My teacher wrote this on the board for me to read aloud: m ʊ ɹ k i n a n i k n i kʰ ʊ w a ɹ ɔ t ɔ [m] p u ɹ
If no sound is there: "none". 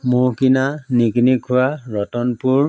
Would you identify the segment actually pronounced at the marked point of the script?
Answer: n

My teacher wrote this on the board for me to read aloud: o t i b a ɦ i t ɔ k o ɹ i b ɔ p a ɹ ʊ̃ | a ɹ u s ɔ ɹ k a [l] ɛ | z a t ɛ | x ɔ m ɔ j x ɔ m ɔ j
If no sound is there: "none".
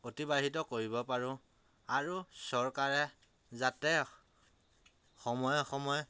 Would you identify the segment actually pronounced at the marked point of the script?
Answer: ɹ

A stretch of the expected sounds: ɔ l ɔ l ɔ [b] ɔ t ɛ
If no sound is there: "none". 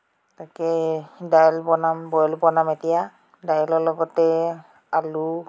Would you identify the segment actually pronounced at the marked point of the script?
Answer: ɡ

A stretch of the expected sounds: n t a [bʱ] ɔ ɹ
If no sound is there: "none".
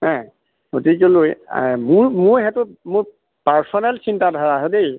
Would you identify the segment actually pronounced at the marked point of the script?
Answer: dʱ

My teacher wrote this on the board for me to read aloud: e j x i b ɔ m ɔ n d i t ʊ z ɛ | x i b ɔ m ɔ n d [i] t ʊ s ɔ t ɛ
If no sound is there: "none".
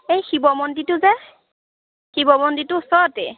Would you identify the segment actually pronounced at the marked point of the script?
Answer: i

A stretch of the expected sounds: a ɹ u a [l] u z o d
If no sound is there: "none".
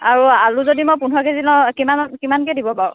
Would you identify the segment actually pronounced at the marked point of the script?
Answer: l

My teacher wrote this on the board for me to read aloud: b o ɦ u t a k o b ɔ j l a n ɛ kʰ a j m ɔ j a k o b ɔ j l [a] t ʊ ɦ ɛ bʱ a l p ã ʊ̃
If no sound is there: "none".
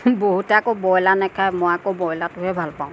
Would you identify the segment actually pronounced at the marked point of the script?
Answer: a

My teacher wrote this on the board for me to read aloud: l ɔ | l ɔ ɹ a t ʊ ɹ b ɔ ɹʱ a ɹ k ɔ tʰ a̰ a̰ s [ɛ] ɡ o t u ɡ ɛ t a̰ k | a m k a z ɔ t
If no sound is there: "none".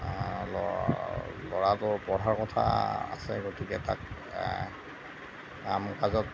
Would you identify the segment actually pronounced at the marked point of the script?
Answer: ɛ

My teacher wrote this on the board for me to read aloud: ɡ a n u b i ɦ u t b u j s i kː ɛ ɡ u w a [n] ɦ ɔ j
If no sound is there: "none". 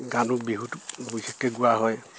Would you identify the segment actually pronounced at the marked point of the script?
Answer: none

